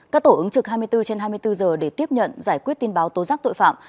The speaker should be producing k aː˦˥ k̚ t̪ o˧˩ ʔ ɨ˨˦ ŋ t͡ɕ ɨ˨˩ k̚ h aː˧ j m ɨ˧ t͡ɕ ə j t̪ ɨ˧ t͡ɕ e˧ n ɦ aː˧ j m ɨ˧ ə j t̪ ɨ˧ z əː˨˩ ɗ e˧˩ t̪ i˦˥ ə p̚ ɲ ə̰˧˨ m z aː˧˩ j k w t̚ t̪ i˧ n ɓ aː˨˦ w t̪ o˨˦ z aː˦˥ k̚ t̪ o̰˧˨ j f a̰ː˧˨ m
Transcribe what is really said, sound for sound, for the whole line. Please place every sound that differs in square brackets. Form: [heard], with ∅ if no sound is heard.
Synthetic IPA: k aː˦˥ k̚ t̪ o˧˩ ʔ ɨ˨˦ ŋ t͡ɕ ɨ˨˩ k̚ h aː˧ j m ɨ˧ [∅] ə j t̪ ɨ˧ t͡ɕ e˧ n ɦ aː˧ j m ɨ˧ ə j t̪ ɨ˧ z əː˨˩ ɗ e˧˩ t̪ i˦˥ ə p̚ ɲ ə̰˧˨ [n] z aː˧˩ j k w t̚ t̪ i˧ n ɓ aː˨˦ w t̪ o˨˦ z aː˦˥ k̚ t̪ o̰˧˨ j f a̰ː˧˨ m